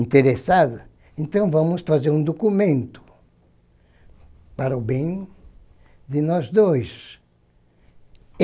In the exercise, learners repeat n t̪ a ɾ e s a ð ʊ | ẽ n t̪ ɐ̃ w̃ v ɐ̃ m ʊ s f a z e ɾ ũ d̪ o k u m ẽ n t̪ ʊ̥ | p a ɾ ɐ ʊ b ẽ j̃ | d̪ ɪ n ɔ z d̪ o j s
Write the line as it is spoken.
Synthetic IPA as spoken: n t̪ e ɾ e s a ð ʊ | ẽ n t̪ ɐ̃ w̃ v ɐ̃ m ʊ s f a z e ɾ ũ d̪ o k u m ẽ n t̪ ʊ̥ | p a ɾ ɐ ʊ b ẽ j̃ | d̪ ɪ n ɔ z d̪ o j s